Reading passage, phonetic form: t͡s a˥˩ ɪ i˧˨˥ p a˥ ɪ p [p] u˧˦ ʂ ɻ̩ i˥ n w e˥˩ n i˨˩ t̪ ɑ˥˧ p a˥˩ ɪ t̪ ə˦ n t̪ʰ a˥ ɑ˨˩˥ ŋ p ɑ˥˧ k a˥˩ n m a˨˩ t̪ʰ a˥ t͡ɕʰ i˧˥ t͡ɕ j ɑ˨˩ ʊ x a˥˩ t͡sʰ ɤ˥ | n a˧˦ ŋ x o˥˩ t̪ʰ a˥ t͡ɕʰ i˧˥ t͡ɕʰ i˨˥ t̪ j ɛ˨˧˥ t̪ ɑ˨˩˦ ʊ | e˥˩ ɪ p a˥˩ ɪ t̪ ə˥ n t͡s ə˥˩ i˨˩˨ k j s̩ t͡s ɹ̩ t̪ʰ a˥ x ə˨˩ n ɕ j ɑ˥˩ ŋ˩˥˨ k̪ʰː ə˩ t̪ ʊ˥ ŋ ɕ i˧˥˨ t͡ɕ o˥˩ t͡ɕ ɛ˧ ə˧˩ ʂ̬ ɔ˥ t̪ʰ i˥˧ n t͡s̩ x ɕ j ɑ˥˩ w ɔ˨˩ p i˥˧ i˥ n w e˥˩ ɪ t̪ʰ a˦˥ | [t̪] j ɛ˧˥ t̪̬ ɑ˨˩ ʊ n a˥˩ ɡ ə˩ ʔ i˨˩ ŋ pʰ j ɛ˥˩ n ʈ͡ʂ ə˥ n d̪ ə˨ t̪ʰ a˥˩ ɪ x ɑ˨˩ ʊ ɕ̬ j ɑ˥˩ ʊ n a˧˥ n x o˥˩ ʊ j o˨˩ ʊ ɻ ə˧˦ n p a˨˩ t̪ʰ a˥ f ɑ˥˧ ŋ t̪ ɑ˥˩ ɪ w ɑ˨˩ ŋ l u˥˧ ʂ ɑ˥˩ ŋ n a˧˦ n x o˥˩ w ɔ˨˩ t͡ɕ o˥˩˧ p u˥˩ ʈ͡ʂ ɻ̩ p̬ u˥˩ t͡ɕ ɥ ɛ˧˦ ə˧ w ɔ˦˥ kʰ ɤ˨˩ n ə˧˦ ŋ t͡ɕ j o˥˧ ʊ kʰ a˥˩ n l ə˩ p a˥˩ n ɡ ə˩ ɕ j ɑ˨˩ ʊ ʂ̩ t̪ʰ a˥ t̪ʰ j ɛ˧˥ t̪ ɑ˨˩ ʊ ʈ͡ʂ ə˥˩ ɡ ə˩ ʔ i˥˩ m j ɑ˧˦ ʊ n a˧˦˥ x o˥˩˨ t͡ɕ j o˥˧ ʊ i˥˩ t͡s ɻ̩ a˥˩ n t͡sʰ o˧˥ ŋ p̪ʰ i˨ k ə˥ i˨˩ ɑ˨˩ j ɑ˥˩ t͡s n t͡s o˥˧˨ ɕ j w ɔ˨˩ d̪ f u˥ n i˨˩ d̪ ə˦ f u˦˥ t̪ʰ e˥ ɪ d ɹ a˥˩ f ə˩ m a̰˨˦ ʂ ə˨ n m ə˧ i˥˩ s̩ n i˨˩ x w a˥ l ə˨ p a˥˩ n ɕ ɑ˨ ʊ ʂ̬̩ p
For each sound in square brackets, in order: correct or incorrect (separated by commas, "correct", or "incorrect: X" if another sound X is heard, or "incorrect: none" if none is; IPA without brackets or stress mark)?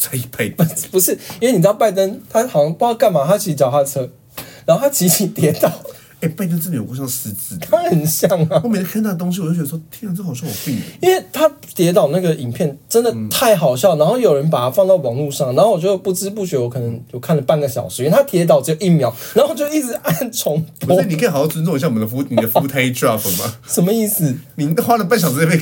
correct, correct